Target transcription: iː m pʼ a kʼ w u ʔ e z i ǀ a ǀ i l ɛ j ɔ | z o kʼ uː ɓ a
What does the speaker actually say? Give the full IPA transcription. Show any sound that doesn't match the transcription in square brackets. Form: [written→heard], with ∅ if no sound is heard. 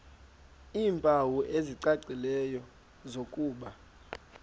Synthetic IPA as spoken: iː m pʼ a [kʼ→∅] w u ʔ e z i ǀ a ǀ i l ɛ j ɔ | z o kʼ uː ɓ a